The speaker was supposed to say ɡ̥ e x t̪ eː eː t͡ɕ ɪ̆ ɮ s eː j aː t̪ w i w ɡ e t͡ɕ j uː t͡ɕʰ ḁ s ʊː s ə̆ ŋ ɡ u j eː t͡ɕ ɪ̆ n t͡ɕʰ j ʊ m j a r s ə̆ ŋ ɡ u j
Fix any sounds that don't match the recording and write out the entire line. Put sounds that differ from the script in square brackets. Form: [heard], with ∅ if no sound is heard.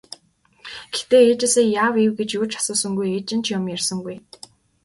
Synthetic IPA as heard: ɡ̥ e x t̪ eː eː t͡ɕ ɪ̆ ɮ s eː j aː [∅] w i w ɡ e t͡ɕ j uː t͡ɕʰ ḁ s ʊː s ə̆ ŋ ɡ u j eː t͡ɕ ɪ̆ n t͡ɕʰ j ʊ m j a r s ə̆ ŋ ɡ u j

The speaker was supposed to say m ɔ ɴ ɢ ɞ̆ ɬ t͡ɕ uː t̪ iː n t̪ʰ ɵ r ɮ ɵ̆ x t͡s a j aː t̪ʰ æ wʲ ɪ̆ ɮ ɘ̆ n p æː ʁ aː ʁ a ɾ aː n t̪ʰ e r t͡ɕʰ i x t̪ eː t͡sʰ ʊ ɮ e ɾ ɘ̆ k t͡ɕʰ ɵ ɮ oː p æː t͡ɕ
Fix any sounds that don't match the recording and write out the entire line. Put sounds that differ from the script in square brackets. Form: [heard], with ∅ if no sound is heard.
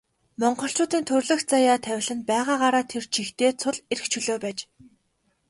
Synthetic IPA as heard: m ɔ ɴ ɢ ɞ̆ ɬ t͡ɕ [ʊː] t̪ iː n t̪ʰ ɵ r ɮ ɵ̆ x t͡s a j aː t̪ʰ æ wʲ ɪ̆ ɮ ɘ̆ n p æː ʁ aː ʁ a ɾ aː [∅] t̪ʰ e r t͡ɕʰ i x t̪ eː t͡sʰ ʊ ɮ e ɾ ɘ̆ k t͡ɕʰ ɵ ɮ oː p æː t͡ɕ

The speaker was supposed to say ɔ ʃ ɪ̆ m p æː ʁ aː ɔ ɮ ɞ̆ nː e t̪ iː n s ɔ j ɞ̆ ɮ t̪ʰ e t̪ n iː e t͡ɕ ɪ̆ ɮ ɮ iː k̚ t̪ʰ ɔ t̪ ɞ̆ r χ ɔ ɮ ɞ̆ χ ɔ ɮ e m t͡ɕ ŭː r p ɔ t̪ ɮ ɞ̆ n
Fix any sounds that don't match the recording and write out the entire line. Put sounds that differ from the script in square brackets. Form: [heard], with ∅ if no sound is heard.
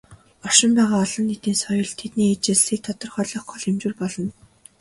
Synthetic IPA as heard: ɔ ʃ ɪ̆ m p æː ʁ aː ɔ ɮ ɞ̆ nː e t̪ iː n s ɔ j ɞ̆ ɮ t̪ʰ e t̪ n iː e t͡ɕ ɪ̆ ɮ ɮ iː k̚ t̪ʰ ɔ t̪ ɞ̆ r χ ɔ ɮ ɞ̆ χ ɔ ɮ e m t͡ɕ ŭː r p ɔ [∅] ɮ ɞ̆ n

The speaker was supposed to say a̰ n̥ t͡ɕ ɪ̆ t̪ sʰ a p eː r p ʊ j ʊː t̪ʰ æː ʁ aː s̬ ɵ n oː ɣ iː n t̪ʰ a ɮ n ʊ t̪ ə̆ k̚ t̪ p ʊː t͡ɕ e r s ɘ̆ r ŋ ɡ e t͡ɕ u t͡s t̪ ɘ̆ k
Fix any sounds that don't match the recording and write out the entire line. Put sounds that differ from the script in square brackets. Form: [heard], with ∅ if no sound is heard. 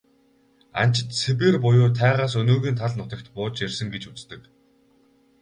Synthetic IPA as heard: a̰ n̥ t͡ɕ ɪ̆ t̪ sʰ [e] p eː r p ʊ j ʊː t̪ʰ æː ʁ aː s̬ ɵ n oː ɣ iː n t̪ʰ a ɮ n ʊ t̪ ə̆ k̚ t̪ p ʊː t͡ɕ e r s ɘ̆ [∅] ŋ ɡ e t͡ɕ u t͡s t̪ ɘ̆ k

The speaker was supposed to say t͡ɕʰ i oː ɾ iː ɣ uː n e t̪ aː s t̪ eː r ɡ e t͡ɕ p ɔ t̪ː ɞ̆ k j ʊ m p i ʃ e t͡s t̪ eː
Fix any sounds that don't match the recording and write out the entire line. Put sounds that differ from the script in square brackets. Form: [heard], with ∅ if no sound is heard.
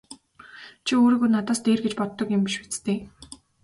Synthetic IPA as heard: t͡ɕʰ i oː ɾ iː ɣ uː n [a] t̪ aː s t̪ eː r ɡ e t͡ɕ p ɔ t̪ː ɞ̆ k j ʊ m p i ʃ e t͡s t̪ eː

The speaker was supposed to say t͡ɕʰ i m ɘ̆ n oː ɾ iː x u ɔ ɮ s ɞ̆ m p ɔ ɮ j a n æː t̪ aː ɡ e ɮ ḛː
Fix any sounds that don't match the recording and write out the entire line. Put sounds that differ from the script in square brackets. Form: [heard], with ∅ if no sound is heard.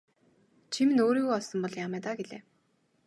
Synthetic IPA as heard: t͡ɕʰ i m ɘ̆ n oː ɾ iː [ɣ] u ɔ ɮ s ɞ̆ m p ɔ ɮ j a [m] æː t̪ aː ɡ e ɮ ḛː

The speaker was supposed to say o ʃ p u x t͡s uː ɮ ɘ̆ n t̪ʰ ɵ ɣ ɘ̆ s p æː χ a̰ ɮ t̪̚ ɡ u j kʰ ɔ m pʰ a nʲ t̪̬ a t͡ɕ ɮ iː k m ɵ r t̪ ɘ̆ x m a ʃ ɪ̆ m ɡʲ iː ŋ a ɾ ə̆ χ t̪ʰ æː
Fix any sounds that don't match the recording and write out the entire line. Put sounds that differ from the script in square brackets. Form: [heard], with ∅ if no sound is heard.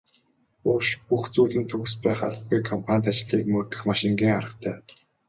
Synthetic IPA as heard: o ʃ p u x t͡s uː ɮ ɘ̆ n t̪ʰ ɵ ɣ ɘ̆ s p æː χ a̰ ɮ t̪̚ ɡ u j kʰ ɔ m pʰ a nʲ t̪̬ a t͡ɕ ɮ iː k m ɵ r t̪ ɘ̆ x m a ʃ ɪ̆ [ŋ] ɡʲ iː ŋ a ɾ ə̆ χ t̪ʰ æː

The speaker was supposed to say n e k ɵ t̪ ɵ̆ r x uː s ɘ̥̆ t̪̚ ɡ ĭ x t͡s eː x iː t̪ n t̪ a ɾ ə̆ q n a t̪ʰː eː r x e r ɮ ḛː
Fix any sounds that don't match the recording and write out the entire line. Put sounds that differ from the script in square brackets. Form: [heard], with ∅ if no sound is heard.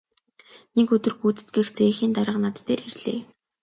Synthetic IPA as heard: n e k ɵ t̪ ɵ̆ r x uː [t͡s] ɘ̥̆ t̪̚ ɡ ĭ x t͡s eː x iː [∅] n t̪ a ɾ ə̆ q n a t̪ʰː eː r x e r ɮ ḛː

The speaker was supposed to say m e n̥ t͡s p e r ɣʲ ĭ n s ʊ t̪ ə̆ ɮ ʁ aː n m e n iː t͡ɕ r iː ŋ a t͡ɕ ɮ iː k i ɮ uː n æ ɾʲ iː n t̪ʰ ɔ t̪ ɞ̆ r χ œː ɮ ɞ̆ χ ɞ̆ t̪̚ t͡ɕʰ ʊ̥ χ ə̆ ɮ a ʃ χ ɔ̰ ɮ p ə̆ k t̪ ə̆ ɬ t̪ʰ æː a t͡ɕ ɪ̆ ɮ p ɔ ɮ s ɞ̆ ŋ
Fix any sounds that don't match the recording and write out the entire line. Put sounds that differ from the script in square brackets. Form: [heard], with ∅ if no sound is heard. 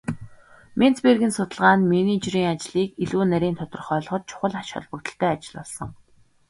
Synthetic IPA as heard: m e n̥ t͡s p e r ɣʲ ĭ n s ʊ t̪ ə̆ ɮ ʁ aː n m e n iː t͡ɕ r iː ŋ a t͡ɕ ɮ iː k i ɮ uː n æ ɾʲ iː n t̪ʰ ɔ t̪ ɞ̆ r χ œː ɮ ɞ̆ χ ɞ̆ t̪̚ t͡ɕʰ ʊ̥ χ ə̆ ɮ a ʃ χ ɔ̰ ɮ p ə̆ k t̪ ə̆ ɬ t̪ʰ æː a t͡ɕ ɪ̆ ɮ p ɔ ɮ s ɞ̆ ŋ

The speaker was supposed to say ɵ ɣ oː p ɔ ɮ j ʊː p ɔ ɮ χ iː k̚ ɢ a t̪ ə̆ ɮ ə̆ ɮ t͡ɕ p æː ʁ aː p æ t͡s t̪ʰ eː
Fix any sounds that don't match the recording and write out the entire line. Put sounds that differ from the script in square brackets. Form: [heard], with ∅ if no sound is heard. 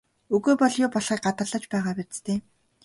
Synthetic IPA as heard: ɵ ɣ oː p ɔ ɮ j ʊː p ɔ ɮ χ iː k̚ ɢ a t̪ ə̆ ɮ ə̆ [∅] t͡ɕ p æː ʁ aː p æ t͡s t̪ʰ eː

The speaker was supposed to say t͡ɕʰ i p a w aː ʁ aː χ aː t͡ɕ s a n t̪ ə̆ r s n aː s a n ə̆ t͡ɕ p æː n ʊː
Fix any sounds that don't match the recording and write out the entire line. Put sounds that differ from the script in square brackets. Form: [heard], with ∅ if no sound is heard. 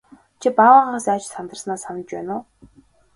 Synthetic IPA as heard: t͡ɕʰ i p a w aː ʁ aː [s] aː t͡ɕ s a n t̪ ə̆ r s n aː s a n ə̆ t͡ɕ p æː n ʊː

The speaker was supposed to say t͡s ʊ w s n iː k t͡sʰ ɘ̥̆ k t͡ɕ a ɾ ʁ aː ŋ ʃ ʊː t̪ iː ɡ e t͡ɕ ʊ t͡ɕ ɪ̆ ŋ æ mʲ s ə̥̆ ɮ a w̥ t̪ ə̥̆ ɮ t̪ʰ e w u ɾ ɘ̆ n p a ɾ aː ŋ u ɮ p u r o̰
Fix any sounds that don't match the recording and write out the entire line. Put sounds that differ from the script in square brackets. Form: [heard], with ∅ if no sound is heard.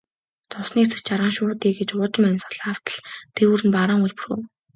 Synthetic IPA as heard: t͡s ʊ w s n iː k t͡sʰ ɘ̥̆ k t͡ɕ a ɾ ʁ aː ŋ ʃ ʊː t̪ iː ɡ e t͡ɕ ʊ t͡ɕ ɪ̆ [m] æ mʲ s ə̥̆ ɮ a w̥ t̪ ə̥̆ ɮ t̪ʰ e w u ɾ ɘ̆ n p a ɾ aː ŋ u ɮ p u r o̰

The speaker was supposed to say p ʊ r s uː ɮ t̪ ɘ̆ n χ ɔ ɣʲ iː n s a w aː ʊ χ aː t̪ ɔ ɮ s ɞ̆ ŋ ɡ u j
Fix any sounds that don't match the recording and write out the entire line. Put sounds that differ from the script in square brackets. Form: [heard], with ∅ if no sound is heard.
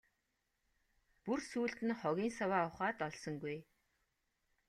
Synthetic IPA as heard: p [u] r s uː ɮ t̪ ɘ̆ n χ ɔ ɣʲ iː n s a w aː ʊ χ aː t̪ ɔ ɮ s ɞ̆ ŋ ɡ u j

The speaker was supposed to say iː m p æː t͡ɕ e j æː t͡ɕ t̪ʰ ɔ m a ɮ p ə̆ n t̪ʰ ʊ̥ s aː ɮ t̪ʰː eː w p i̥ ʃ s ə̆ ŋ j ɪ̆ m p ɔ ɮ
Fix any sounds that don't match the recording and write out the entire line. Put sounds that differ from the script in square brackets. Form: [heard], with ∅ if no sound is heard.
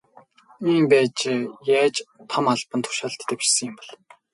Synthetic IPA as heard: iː m p æː t͡ɕ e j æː t͡ɕ t̪ʰ ɔ m a ɮ p ə̆ n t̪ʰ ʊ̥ [ʃ] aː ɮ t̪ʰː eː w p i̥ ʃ s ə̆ ŋ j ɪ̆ m p ɔ ɮ

